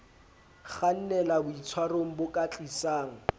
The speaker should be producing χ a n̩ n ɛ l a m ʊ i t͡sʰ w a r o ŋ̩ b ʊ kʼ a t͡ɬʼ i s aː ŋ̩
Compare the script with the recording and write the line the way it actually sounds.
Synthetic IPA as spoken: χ a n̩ n ɛ l a b ʊ i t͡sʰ w a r o ŋ̩ b ʊ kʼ a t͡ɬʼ i s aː ŋ̩